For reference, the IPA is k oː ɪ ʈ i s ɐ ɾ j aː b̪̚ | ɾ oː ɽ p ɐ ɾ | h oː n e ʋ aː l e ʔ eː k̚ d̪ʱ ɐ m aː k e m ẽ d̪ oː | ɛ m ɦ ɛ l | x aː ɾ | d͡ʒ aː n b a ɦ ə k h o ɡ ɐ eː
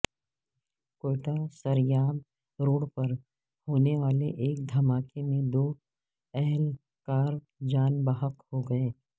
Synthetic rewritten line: k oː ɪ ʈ a s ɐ ɾ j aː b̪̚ | ɾ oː ɽ p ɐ ɾ | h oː n e ʋ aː l e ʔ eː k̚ d̪ʱ ɐ m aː k e m ẽ d̪ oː | ɛ ɦ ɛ l | k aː ɾ | d͡ʒ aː n b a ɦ ə k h o ɡ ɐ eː